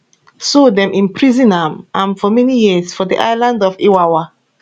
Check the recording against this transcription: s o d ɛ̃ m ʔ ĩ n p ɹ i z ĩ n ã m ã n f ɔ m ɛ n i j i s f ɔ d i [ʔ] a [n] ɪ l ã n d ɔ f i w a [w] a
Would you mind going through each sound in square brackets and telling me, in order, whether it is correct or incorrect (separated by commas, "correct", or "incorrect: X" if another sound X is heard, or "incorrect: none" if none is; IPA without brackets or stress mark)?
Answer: correct, incorrect: none, correct